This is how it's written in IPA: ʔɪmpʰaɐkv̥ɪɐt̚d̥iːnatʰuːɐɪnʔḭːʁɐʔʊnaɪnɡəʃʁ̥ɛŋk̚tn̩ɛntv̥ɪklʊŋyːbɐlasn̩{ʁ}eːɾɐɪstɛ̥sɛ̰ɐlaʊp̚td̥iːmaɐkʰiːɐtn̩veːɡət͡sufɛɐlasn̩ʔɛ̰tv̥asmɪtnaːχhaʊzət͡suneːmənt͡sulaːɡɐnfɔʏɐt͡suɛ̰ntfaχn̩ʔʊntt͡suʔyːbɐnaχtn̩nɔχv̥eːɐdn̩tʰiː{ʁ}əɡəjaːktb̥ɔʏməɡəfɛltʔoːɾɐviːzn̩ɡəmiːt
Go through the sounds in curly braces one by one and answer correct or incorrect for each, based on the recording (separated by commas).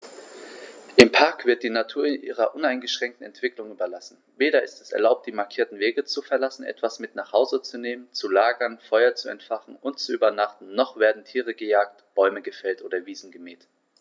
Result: incorrect, correct